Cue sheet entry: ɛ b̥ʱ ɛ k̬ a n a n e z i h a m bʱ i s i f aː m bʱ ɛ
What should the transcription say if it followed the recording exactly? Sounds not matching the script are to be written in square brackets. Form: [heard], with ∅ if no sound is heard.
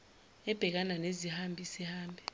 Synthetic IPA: ɛ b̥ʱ ɛ k̬ a n a n e z i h a m bʱ i s i [h] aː m bʱ ɛ

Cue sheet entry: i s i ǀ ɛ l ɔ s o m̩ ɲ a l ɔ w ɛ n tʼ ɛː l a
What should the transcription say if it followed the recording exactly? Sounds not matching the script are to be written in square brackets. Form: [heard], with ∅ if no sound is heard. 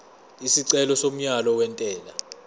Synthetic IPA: i s i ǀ ɛ l ɔ s o m̩ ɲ a l ɔ w ɛ n tʼ ɛː l a

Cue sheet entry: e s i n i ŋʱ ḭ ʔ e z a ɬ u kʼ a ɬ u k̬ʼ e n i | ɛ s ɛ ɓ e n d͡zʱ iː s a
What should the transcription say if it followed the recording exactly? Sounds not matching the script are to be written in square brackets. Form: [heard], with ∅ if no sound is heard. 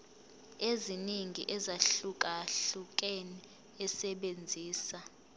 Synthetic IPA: e [z] i n i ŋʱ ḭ ʔ [ɛ] z a ɬ u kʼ a ɬ u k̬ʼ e n i | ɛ s ɛ ɓ e n d͡zʱ iː s a

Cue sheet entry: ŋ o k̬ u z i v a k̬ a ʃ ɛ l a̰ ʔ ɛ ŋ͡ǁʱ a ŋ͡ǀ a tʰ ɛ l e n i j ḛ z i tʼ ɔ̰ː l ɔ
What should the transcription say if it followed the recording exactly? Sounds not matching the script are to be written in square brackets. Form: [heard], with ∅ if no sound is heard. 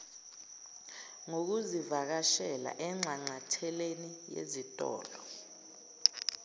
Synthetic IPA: ŋ o k̬ u z i v a k̬ a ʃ ɛ l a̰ ʔ ɛ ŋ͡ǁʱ a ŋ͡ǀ a tʰ ɛ l e n i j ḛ z i tʼ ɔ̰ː l ɔ

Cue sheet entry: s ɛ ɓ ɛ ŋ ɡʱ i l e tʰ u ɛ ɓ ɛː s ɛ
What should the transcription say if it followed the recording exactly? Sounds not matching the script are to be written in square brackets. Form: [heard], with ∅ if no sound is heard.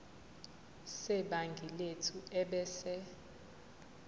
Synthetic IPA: s ɛ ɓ [a] ŋ ɡʱ i l e tʰ u ɛ ɓ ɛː s ɛ

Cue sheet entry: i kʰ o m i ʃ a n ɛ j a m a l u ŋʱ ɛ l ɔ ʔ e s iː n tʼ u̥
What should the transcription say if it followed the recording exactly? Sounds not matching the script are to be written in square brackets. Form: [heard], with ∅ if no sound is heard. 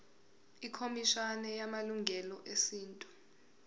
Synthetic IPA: i kʰ o m i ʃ a n ɛ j a m a l u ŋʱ ɛ l ɔ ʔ e s iː n tʼ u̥

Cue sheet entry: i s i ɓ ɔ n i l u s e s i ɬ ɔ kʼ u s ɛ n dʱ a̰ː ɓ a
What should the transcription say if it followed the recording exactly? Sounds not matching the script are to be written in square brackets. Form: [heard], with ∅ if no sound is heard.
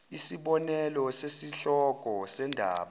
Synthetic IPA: i s i ɓ ɔ n [ɛ] l [ɔ] s e s i ɬ ɔ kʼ [ɔ] s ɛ n dʱ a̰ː ɓ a

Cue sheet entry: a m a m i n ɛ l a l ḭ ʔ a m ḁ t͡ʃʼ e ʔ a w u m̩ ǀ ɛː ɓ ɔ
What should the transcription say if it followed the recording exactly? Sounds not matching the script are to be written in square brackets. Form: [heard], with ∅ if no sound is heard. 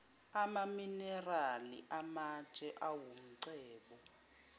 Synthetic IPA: a m a m i n ɛ [r] a l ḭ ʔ a m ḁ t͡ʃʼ [ɛ] ʔ a w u m̩ ǀ ɛː ɓ ɔ

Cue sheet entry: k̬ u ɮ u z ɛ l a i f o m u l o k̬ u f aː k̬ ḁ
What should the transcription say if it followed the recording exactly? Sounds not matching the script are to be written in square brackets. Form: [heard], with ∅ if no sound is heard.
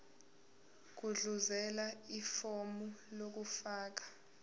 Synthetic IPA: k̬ u ɮ u z ɛ l a i f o m u l o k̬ u f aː k̬ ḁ

